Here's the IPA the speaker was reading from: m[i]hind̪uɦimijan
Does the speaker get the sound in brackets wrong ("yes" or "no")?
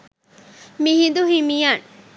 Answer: no